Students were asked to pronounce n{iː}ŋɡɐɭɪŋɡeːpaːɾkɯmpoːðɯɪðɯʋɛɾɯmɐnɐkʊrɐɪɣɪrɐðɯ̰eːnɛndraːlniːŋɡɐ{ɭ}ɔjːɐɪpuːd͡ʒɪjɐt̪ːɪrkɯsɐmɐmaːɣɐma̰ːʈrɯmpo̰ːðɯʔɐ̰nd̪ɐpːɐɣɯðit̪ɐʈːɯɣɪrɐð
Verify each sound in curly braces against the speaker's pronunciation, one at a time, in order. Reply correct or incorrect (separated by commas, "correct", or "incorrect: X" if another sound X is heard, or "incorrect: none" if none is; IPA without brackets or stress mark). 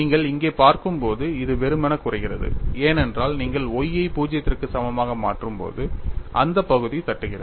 correct, correct